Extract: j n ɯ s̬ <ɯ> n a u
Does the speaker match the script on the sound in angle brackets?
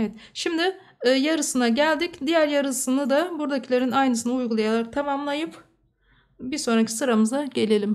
yes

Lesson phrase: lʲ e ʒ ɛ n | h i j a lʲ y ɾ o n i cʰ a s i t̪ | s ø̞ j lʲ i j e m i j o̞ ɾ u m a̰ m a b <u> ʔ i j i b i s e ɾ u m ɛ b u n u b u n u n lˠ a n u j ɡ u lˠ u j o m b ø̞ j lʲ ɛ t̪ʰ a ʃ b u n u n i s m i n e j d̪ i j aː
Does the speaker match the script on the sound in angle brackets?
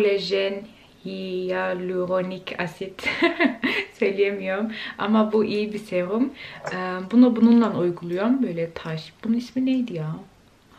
yes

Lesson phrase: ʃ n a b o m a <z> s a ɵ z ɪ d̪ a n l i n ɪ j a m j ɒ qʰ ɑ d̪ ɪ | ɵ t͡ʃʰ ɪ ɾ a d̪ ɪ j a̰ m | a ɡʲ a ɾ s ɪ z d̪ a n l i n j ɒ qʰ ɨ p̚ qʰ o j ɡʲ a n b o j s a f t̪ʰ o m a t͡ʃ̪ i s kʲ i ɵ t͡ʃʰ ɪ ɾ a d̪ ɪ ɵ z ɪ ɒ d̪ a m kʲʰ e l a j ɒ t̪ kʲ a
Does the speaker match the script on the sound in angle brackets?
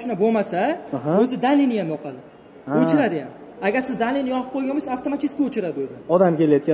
no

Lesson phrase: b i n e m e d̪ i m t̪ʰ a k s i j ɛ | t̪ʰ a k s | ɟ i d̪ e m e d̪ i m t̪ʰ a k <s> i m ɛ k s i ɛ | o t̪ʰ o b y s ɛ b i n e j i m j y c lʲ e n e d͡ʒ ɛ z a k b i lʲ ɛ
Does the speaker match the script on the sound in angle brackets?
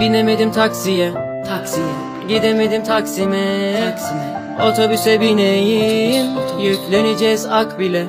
yes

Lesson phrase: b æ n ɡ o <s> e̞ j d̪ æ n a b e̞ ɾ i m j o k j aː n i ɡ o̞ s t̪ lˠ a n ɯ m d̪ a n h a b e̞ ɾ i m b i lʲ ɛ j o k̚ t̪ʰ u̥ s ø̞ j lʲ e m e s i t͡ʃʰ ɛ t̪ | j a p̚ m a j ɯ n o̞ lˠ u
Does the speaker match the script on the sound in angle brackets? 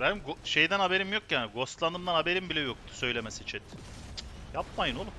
no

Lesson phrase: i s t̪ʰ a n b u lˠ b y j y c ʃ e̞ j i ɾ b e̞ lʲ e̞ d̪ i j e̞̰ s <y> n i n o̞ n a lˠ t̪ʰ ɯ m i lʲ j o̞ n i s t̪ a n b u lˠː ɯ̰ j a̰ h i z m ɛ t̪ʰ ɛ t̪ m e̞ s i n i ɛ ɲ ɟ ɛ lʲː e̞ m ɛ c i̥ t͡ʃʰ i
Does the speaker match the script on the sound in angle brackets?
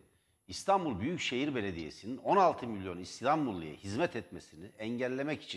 no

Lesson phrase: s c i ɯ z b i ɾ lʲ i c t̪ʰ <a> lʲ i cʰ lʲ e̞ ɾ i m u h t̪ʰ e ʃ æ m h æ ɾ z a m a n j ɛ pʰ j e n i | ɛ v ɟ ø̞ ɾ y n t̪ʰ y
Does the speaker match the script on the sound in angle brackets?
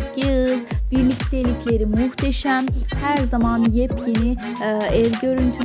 no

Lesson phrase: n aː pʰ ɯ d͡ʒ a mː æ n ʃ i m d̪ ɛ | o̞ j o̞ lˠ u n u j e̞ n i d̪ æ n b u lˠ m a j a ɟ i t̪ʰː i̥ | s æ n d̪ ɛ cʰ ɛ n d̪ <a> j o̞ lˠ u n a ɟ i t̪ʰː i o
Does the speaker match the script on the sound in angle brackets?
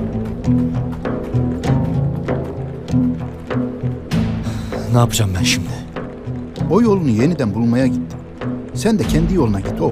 no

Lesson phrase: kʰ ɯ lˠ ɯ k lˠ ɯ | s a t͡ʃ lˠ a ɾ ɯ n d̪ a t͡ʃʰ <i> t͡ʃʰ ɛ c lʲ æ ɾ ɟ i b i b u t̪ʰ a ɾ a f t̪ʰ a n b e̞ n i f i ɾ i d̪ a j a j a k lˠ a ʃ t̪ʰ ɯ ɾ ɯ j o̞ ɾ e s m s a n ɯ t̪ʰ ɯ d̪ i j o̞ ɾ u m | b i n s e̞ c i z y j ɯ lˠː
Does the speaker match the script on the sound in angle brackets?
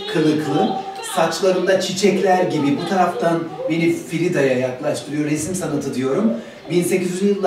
yes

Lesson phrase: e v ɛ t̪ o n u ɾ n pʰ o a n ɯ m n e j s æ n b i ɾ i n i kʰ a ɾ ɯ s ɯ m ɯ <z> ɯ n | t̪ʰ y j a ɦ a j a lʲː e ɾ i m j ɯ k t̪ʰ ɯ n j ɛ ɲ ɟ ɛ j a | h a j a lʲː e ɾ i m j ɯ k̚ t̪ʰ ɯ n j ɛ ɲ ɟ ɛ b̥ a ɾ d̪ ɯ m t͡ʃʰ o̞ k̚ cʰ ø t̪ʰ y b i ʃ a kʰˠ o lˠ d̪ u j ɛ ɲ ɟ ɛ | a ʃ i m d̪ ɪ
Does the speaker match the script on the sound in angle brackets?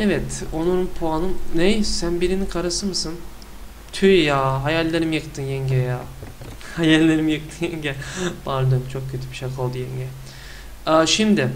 no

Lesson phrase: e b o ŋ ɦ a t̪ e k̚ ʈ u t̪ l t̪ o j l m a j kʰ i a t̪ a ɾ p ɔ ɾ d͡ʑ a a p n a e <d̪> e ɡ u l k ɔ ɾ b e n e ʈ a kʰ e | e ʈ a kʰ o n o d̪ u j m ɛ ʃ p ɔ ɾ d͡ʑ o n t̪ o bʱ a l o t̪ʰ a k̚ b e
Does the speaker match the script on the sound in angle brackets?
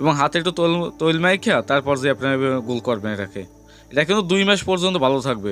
no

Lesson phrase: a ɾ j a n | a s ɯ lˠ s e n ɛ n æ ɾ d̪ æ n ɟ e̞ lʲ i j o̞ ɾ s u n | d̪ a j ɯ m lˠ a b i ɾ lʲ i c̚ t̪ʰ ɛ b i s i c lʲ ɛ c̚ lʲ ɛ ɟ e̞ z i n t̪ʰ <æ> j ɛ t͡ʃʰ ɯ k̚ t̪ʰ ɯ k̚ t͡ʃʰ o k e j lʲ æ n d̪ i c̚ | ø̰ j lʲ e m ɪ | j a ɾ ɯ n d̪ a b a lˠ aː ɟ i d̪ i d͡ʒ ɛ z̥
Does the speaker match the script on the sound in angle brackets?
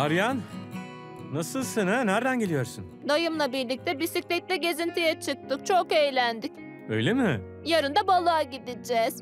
no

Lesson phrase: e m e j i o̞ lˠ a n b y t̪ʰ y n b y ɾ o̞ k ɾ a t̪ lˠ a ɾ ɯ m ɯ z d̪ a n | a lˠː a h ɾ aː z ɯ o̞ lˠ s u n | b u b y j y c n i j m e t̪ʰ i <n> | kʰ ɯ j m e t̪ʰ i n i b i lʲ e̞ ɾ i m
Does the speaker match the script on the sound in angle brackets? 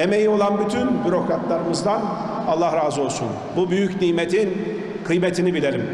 yes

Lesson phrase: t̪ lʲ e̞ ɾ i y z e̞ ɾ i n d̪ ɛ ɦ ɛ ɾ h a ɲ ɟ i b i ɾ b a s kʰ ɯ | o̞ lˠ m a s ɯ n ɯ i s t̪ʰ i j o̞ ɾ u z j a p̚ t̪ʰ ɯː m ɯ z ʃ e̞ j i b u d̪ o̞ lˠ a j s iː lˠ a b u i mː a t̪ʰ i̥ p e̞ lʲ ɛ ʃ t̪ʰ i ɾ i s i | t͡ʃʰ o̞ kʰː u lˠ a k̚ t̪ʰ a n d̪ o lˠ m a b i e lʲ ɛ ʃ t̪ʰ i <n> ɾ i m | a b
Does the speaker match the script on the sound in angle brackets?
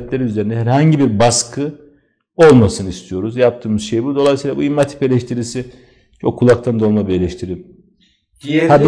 no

